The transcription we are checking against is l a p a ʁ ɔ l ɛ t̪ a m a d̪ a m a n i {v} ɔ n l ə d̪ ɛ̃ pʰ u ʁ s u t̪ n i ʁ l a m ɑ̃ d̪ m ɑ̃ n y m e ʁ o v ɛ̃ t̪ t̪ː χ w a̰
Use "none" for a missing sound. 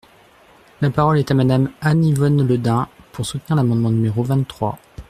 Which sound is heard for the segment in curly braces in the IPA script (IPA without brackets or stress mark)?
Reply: v